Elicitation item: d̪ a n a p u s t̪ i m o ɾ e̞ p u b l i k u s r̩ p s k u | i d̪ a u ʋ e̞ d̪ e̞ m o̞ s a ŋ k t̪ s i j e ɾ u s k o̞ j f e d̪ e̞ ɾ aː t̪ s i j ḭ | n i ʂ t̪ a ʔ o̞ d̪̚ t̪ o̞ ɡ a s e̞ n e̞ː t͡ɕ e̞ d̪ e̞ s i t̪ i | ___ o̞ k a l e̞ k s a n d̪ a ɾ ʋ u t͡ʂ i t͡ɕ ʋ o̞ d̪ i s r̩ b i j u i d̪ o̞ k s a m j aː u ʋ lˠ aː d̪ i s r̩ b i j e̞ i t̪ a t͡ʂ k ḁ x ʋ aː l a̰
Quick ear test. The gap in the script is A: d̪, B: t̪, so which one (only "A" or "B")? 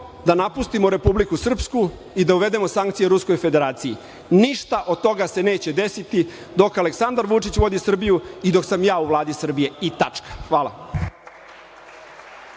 A